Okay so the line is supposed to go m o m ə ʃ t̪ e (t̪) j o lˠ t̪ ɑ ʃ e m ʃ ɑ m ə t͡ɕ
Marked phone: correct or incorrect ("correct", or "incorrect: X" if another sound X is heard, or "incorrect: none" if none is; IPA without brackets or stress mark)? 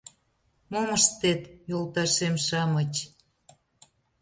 correct